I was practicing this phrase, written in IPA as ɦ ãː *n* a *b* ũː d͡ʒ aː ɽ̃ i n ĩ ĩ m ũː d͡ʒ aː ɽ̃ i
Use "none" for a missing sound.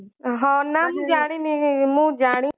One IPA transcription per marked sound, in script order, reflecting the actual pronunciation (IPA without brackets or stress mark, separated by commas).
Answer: n, m